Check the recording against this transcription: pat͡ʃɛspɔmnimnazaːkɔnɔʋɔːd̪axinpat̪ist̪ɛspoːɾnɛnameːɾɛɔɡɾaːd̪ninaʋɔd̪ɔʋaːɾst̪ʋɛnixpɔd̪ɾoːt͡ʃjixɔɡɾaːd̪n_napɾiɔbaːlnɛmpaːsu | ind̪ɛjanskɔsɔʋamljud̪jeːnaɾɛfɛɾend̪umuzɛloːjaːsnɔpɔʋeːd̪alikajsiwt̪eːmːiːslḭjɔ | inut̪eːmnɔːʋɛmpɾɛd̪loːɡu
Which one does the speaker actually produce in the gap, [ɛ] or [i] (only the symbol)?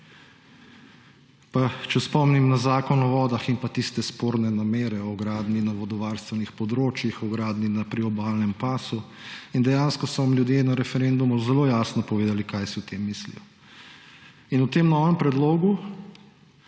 i